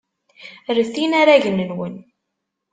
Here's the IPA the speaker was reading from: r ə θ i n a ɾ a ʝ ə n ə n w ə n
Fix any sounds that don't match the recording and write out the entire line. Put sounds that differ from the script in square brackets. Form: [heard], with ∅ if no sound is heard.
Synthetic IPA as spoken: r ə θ i n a ɾ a ʝ ə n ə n w ə n